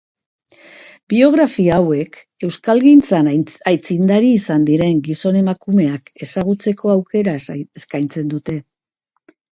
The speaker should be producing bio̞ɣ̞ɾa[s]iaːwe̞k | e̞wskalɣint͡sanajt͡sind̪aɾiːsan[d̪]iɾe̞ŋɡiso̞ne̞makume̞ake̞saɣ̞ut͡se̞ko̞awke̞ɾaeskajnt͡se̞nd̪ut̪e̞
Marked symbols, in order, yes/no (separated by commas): no, yes